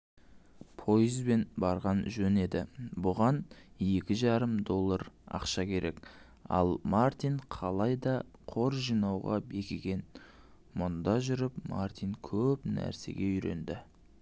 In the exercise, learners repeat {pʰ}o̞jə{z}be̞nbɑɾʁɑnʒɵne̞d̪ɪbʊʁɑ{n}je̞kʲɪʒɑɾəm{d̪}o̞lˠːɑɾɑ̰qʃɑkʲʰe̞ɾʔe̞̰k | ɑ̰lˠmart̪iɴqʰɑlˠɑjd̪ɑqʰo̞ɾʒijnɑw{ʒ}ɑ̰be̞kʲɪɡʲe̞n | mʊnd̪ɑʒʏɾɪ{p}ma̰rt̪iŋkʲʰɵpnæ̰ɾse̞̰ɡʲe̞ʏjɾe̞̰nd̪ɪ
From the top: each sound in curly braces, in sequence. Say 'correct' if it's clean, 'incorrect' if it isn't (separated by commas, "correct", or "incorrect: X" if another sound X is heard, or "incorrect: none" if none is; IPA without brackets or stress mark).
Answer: correct, correct, correct, correct, incorrect: ʁ, correct